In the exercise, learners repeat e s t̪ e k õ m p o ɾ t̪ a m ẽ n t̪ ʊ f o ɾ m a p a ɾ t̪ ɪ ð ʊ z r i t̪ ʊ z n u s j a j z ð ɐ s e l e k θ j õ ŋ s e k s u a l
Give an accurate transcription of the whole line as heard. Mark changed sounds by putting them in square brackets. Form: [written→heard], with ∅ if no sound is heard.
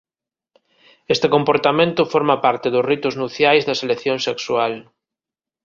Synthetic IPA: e s t̪ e k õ m p o ɾ t̪ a m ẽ n t̪ ʊ f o ɾ m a p a ɾ t̪ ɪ ð ʊ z r i t̪ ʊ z n u [s→θ] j a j z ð ɐ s e l e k θ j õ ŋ s e k s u a l